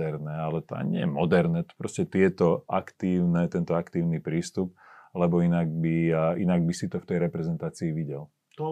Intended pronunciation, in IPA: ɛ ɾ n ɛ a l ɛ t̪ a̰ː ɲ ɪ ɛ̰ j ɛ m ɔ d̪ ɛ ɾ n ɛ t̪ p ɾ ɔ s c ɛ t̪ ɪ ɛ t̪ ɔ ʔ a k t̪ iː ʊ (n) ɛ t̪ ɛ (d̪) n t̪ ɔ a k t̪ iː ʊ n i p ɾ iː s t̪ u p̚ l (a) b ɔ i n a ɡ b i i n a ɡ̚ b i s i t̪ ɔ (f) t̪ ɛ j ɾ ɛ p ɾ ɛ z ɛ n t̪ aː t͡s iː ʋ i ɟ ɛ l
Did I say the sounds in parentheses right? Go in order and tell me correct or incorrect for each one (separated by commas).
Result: correct, incorrect, incorrect, correct